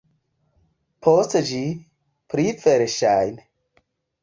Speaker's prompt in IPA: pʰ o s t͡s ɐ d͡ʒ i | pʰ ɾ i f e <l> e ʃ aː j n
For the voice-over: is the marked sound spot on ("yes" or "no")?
no